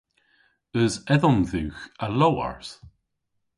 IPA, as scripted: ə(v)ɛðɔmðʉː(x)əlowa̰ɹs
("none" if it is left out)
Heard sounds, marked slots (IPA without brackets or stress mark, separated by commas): z, x